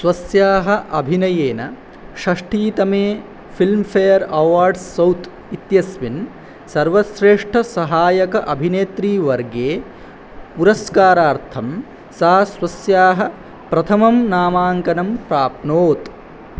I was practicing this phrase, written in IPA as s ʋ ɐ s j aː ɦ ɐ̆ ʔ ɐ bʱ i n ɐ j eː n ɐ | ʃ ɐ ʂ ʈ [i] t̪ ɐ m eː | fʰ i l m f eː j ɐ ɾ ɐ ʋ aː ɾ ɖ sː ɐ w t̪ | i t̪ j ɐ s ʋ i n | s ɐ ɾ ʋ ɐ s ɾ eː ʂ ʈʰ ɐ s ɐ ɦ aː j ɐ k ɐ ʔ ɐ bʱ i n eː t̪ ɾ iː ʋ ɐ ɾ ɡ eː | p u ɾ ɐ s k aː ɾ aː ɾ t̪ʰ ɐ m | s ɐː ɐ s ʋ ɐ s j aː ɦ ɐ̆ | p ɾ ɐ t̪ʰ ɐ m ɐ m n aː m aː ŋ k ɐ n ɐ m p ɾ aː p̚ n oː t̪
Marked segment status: incorrect: iː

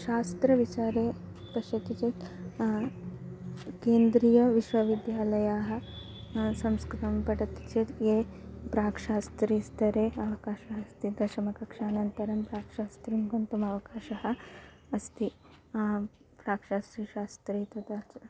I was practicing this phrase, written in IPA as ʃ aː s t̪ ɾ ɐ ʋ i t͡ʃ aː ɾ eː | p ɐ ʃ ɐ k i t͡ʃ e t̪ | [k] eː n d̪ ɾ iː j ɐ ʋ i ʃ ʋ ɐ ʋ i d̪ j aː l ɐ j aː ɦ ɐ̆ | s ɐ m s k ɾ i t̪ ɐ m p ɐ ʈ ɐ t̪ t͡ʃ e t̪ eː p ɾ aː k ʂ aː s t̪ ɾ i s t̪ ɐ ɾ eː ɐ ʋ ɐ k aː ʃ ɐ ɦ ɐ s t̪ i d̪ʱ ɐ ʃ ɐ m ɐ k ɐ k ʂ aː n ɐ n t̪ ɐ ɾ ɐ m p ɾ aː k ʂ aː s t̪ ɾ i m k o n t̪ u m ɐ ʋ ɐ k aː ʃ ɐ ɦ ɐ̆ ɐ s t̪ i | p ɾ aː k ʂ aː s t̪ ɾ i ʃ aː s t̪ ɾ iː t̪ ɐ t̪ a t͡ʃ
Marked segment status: correct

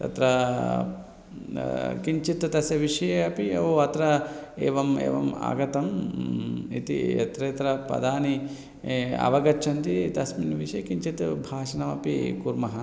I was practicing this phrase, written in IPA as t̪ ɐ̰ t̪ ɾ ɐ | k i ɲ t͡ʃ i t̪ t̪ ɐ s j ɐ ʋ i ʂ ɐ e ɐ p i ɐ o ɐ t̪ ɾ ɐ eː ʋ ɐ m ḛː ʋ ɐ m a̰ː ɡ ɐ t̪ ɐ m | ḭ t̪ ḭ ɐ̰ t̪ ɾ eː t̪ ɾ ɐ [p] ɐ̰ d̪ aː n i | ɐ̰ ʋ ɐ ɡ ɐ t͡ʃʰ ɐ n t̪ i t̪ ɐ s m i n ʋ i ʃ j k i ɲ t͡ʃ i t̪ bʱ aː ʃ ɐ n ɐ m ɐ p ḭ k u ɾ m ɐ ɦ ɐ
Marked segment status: correct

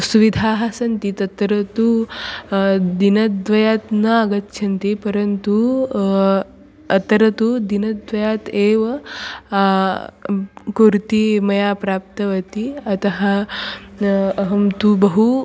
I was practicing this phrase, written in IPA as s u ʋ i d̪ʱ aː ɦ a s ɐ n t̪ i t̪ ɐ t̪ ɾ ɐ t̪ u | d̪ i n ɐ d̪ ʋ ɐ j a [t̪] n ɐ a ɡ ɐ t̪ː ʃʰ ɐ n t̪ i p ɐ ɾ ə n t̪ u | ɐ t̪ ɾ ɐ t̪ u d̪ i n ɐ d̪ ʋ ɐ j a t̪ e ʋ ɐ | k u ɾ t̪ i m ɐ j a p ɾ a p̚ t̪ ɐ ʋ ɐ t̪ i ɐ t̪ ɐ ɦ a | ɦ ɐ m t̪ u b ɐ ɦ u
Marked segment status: correct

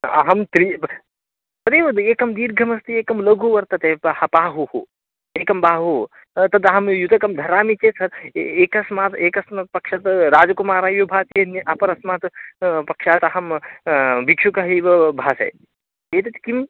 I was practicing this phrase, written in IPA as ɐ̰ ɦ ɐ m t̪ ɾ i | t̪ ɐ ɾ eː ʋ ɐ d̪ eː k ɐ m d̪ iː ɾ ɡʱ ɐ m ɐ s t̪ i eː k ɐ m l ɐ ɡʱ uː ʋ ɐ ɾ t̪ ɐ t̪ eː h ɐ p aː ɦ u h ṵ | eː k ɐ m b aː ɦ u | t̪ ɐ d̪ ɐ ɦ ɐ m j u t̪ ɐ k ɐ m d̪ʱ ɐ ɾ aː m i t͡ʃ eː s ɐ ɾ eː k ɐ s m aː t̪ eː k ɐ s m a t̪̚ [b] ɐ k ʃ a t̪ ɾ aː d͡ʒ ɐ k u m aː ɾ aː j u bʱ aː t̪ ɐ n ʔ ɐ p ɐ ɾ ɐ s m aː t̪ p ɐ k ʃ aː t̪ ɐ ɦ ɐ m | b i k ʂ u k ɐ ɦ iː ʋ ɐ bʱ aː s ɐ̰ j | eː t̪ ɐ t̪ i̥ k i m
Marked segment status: incorrect: p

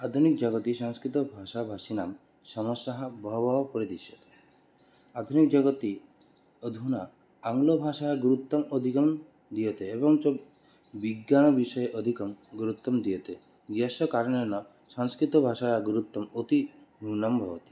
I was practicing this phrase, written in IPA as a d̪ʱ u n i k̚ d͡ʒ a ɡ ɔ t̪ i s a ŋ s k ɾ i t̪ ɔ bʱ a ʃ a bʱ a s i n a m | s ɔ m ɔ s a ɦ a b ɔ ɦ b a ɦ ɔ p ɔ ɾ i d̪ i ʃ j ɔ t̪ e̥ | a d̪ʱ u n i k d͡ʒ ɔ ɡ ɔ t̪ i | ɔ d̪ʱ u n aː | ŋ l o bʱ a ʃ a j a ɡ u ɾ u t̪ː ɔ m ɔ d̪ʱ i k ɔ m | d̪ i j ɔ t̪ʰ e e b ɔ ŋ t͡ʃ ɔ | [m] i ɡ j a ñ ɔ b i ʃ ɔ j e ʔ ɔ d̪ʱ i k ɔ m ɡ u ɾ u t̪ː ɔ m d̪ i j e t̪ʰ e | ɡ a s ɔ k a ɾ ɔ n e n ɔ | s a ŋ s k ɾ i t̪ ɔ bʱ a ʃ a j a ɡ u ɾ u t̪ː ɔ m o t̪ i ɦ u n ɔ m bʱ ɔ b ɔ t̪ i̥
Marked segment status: incorrect: b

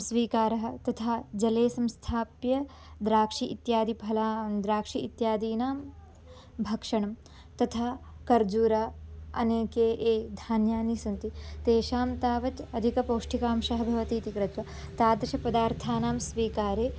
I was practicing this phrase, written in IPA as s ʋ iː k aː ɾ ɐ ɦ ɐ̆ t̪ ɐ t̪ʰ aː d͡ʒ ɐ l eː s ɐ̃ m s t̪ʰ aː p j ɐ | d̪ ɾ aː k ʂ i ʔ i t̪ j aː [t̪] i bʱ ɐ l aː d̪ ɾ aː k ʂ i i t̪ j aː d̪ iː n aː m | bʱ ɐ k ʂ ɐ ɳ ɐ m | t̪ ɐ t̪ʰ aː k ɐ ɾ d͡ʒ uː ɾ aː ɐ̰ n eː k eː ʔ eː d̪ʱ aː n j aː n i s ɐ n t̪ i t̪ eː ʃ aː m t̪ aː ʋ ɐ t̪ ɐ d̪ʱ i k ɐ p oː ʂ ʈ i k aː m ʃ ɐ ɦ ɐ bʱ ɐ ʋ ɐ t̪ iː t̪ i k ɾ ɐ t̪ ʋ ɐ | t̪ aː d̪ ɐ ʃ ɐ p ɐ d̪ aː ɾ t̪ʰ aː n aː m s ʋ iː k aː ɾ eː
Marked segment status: incorrect: d̪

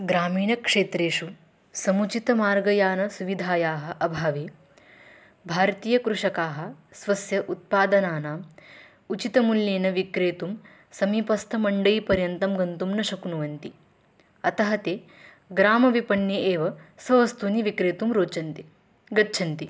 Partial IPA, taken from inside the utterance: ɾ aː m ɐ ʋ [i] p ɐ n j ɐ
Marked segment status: correct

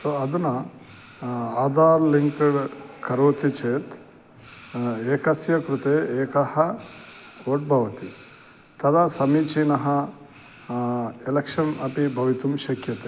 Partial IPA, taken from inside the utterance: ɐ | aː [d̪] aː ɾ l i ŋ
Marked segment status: correct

